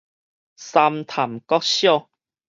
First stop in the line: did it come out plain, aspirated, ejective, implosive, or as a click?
aspirated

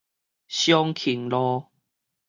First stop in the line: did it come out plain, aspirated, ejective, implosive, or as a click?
aspirated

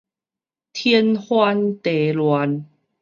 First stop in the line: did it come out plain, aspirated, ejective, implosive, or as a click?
aspirated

